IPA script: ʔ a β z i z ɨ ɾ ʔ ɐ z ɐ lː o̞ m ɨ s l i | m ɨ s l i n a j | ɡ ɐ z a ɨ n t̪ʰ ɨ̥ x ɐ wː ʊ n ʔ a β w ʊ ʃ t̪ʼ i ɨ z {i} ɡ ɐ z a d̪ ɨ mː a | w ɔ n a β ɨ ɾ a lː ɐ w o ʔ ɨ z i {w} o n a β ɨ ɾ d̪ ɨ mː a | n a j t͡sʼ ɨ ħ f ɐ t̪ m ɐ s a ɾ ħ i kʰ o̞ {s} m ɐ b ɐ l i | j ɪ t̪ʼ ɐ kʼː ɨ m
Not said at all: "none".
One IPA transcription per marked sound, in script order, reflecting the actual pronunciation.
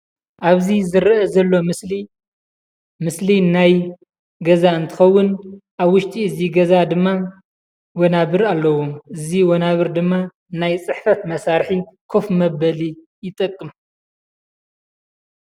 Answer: i, w, f

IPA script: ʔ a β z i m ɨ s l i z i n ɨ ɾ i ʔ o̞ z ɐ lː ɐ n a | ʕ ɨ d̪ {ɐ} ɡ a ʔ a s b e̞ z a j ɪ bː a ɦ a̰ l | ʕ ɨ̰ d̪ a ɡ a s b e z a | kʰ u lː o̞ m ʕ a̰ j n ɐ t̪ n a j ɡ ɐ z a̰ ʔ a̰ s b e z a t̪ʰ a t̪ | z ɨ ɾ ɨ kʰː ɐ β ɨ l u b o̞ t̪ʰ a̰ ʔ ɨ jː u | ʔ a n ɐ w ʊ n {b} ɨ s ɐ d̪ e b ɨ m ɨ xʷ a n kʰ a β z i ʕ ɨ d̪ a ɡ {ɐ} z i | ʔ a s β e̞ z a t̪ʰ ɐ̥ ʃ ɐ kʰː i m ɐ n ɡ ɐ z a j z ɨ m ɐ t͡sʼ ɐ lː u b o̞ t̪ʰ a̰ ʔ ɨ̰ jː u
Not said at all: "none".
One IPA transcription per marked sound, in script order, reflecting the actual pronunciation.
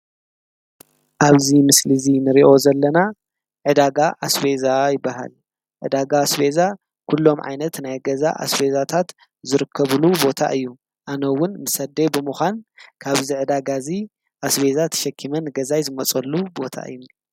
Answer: a, m, a

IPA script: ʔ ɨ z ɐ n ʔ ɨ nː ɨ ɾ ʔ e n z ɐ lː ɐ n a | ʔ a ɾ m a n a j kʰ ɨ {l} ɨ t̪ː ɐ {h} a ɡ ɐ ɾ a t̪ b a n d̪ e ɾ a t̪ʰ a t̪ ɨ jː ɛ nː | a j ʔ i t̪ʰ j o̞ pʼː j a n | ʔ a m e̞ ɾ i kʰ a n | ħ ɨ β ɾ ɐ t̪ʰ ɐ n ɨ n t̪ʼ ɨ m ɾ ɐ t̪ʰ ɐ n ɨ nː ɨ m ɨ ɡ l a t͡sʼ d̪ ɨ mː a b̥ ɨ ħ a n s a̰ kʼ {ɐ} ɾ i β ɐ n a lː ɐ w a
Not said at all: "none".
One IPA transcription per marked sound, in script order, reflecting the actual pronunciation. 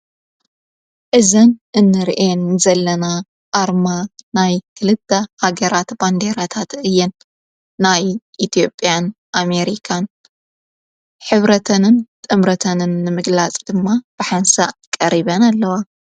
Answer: l, h, ɐ

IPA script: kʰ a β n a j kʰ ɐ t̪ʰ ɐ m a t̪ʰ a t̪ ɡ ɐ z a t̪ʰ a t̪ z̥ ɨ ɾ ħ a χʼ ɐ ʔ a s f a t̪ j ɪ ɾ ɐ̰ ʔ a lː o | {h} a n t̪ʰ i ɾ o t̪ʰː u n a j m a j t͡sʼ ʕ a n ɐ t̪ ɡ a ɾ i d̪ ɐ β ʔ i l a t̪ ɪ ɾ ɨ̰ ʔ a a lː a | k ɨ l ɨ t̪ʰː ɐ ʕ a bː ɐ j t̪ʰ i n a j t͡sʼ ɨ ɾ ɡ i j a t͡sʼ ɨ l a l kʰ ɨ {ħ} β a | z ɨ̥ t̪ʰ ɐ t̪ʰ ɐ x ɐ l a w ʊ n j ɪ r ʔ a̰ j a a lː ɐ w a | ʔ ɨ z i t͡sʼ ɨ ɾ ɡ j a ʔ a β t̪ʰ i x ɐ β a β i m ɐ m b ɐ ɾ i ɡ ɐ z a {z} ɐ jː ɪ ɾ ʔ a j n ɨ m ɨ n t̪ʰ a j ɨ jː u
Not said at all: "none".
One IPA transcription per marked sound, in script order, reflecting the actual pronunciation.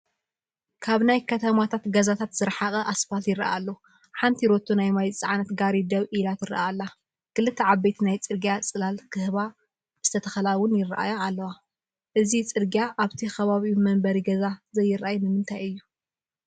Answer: ħ, h, z

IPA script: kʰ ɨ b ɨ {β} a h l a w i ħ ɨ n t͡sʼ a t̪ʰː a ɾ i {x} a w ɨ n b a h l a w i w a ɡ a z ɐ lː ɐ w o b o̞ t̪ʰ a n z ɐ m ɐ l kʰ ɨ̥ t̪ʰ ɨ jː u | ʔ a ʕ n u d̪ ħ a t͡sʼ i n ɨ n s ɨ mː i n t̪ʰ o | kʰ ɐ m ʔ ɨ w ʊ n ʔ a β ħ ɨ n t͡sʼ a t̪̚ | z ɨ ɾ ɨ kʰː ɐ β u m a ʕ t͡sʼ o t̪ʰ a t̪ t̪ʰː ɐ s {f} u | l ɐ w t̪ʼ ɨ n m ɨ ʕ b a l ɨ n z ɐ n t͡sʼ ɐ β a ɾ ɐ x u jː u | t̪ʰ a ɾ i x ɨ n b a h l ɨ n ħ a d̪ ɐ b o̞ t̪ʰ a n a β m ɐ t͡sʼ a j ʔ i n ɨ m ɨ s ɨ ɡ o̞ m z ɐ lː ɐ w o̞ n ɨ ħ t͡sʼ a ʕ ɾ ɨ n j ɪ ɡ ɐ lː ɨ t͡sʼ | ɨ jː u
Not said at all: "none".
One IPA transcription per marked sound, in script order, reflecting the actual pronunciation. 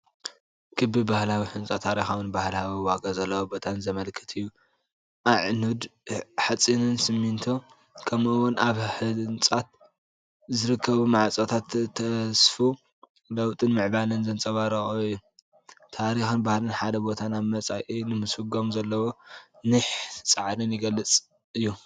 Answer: b, x, f

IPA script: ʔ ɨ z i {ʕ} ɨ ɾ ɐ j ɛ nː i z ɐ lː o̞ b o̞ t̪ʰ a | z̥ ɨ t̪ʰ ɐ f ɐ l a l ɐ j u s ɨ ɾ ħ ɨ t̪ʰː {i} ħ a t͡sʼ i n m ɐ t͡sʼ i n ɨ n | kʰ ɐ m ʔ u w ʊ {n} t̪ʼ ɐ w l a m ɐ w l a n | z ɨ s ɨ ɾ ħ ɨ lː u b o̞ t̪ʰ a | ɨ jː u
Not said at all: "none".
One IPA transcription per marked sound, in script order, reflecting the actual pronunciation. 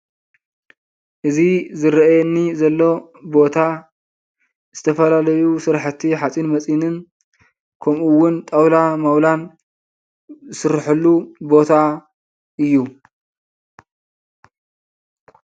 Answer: z, i, n

